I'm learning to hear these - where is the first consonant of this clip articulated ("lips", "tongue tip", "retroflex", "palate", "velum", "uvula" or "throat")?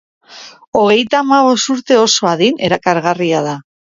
velum